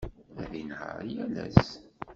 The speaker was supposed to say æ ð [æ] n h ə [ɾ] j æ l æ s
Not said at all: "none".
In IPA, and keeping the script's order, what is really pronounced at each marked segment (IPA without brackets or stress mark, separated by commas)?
i, ɾ